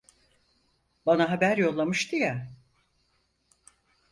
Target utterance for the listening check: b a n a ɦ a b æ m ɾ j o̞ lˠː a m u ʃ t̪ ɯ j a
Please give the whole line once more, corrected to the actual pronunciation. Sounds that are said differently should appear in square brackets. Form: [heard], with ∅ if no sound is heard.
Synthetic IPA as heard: b a n a ɦ a b æ [∅] ɾ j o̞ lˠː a m [ɯ] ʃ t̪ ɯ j a